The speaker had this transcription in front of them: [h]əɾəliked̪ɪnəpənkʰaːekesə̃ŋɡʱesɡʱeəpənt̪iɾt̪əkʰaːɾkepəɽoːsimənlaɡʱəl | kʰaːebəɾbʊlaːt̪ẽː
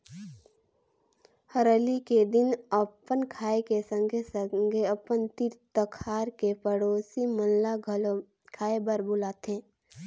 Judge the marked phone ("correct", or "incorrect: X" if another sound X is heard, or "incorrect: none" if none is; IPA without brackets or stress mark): correct